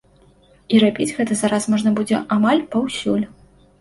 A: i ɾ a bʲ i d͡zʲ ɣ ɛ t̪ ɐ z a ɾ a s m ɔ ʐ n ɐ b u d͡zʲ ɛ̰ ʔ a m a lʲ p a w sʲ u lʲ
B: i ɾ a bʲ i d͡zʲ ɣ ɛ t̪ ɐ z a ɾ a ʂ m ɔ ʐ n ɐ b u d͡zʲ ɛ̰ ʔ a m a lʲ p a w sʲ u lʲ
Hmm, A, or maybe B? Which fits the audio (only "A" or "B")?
A